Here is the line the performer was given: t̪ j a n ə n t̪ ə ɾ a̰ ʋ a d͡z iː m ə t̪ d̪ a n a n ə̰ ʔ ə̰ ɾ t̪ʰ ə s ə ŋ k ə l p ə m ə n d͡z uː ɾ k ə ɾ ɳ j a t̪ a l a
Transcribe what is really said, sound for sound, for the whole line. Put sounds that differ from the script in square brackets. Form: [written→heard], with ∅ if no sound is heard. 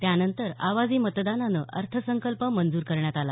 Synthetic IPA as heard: t̪ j a n ə n t̪ ə ɾ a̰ ʋ a d͡z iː m ə t̪ d̪ a n a n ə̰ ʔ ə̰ ɾ t̪ʰ ə s ə ŋ k ə l p ə m ə n d͡z uː ɾ k ə ɾ ɳ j a t̪ a l a